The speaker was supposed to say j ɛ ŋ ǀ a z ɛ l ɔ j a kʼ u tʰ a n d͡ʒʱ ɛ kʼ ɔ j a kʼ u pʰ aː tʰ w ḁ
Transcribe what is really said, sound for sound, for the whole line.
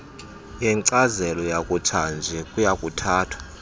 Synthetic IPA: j ɛ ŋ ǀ a z ɛ l ɔ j a kʼ u tʰ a n d͡ʒʱ ɛ kʼ u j a kʼ u tʰ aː tʰ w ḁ